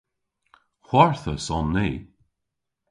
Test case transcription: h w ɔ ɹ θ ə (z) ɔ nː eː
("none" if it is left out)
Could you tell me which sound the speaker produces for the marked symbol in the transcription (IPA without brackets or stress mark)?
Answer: s